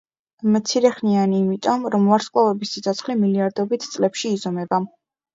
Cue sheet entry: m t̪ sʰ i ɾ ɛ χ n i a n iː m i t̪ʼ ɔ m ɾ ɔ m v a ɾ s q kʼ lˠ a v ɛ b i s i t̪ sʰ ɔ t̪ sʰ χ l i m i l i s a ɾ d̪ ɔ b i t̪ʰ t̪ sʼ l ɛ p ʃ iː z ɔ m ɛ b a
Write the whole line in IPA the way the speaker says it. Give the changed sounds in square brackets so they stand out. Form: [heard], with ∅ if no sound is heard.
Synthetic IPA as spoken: m t̪ sʰ i ɾ ɛ χ n i a n iː m i t̪ʼ ɔ m ɾ ɔ m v a ɾ s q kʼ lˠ a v ɛ b i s i t̪ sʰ ɔ t̪ sʰ χ l i m i l i [∅] a ɾ d̪ ɔ b i t̪ʰ t̪ sʼ l ɛ p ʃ iː z ɔ m ɛ b a